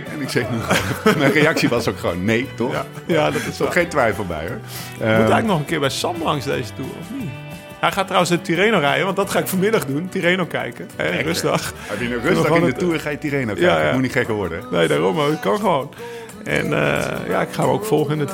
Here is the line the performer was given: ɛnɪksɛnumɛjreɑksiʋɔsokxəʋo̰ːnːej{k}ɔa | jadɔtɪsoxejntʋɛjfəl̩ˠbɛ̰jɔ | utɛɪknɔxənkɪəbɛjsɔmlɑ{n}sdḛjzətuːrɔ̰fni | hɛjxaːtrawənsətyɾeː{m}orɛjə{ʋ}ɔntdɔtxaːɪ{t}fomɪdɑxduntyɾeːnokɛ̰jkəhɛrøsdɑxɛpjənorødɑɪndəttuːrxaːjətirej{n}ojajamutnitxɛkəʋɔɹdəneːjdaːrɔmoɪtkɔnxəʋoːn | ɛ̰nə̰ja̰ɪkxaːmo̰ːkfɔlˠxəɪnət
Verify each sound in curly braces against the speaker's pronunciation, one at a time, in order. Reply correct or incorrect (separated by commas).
incorrect, incorrect, incorrect, correct, incorrect, correct